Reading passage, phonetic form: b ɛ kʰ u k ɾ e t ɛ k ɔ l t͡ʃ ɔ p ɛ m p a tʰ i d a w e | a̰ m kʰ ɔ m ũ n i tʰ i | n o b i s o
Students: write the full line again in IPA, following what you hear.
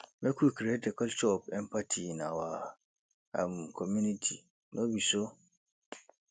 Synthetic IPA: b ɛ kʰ u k ɾ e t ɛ k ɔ l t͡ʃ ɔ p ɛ m p a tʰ i n a w a | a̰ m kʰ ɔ m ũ n i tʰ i | n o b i s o